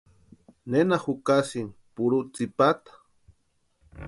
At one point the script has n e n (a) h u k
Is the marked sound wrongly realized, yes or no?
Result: no